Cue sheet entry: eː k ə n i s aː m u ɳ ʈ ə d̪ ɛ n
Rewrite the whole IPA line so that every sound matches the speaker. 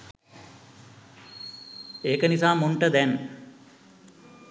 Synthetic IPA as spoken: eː k ə n i s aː m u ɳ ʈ ə d̪ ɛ n